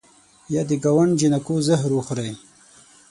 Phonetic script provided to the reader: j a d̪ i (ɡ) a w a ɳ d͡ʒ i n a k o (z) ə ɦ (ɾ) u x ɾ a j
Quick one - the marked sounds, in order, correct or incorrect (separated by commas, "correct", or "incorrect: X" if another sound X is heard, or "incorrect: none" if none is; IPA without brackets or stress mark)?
correct, correct, correct